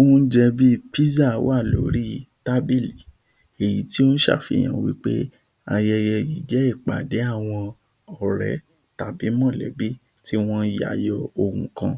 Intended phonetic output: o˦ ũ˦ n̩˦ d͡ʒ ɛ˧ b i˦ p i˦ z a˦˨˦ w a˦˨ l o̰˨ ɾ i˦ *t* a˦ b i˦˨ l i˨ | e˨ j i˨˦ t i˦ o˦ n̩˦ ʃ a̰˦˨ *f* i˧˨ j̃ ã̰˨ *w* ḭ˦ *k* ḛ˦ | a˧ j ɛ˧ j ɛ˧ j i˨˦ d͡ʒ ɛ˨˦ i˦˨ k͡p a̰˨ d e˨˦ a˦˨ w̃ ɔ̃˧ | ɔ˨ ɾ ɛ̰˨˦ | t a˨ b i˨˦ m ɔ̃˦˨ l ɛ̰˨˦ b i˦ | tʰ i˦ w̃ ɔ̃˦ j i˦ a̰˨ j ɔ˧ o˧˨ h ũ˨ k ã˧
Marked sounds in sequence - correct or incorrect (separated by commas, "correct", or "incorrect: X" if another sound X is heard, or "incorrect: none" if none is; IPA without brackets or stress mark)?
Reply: correct, correct, correct, incorrect: k͡p